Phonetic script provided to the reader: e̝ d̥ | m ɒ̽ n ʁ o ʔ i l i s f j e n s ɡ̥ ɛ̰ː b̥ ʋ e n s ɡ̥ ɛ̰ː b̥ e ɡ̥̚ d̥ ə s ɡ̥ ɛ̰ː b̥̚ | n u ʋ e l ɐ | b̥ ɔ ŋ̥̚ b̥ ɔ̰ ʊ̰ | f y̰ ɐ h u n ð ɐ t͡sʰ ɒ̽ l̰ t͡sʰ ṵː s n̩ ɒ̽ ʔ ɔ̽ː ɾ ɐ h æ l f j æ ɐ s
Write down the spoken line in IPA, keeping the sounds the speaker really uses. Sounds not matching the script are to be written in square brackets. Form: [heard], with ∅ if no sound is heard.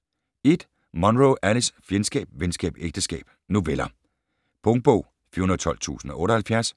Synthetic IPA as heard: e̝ d̥ | m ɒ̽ n ʁ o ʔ [æ] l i s f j e n s ɡ̥ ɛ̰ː b̥ ʋ e n s ɡ̥ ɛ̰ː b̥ e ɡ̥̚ d̥ ə s ɡ̥ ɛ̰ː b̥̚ | n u ʋ e l ɐ | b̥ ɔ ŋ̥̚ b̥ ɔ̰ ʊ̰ | f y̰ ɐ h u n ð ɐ t͡sʰ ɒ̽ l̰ t͡sʰ ṵː s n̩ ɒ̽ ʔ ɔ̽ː ɾ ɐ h æ l f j æ ɐ s

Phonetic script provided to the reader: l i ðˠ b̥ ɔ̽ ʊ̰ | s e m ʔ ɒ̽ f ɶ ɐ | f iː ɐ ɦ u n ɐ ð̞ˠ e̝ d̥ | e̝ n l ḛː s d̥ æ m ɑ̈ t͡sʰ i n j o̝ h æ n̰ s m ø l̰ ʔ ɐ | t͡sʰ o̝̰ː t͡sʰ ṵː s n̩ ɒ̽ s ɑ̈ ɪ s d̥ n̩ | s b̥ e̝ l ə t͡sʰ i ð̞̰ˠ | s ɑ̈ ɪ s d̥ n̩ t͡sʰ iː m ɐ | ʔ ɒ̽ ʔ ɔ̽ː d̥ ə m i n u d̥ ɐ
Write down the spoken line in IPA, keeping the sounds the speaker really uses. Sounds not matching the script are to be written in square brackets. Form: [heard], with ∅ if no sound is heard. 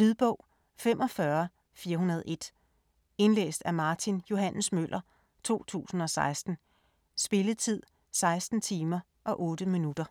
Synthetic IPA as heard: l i ðˠ b̥ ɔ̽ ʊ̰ | [f] e m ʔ ɒ̽ f ɶ ɐ | f iː ɐ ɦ u n ɐ ð̞ˠ e̝ d̥ | e̝ n l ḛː s d̥ æ m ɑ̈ t͡sʰ i n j o̝ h æ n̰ s m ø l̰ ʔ ɐ | t͡sʰ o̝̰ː t͡sʰ ṵː s n̩ ɒ̽ s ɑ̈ ɪ s d̥ n̩ | s b̥ e̝ l ə t͡sʰ i ð̞̰ˠ | s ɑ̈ ɪ s d̥ n̩ t͡sʰ iː m ɐ | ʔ ɒ̽ ʔ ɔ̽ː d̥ ə m i n u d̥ ɐ

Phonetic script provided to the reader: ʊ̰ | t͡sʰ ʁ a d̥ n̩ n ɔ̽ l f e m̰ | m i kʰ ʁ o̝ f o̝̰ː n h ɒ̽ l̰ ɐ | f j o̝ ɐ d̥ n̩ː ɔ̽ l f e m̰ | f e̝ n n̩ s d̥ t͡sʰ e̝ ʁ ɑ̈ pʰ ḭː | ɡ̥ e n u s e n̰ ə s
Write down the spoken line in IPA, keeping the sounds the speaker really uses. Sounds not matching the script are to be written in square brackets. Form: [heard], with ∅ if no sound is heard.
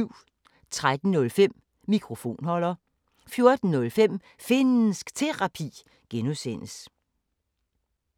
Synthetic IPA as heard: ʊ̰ | t͡sʰ ʁ a d̥ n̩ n ɔ̽ l f e m̰ | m i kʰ ʁ o̝ f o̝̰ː n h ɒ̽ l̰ ɐ | f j o̝ ɐ d̥ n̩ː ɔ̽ l f e m̰ | f e̝ n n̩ s [ɡ̥] t͡sʰ e̝ ʁ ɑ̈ pʰ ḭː | ɡ̥ e n u s e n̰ ə s

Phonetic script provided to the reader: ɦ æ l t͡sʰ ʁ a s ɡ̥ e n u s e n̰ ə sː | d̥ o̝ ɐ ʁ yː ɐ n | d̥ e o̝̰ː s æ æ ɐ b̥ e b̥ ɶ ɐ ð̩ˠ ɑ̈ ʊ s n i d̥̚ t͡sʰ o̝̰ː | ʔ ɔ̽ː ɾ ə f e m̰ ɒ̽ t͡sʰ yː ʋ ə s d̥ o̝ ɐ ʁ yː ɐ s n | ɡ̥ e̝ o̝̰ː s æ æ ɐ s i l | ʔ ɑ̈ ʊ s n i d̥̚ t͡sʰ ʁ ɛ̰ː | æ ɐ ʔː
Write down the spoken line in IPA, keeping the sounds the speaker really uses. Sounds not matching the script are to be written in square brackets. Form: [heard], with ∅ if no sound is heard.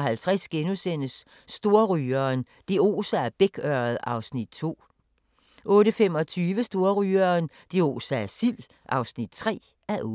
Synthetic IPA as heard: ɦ æ l t͡sʰ ʁ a s ɡ̥ e n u s e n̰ ə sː | d̥ o̝ ɐ ʁ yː ɐ n | d̥ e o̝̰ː s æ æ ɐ b̥ e [ɡ̥] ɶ ɐ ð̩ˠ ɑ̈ ʊ s n i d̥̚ t͡sʰ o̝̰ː | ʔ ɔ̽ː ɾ ə f e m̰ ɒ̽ t͡sʰ yː ʋ ə s d̥ o̝ ɐ ʁ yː ɐ [∅] n | [d̥] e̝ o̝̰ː s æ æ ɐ s i l | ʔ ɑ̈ ʊ s n i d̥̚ t͡sʰ ʁ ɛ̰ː | æ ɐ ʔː

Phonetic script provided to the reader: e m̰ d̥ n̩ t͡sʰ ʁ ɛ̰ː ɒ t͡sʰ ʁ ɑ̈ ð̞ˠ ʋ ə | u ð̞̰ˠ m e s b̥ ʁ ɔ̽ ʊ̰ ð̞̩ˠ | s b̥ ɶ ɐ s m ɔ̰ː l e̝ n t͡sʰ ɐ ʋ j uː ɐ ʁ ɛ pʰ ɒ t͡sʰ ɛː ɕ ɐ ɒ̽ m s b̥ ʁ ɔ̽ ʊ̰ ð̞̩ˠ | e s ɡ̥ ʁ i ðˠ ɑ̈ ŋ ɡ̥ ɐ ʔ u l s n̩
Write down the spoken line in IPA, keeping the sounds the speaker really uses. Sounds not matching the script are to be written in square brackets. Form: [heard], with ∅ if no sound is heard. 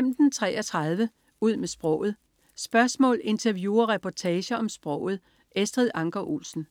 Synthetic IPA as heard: e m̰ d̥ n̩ t͡sʰ ʁ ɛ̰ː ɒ t͡sʰ ʁ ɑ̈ ð̞ˠ ʋ ə | u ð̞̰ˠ m e s b̥ ʁ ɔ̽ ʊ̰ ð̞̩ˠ | s b̥ ɶ ɐ s m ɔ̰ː l e̝ n t͡sʰ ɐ ʋ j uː ɐ ʁ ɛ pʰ ɒ t͡sʰ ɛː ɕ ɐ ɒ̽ m s b̥ ʁ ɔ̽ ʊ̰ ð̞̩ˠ | e s [d̥] ʁ i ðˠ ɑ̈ ŋ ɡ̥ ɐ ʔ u l s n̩

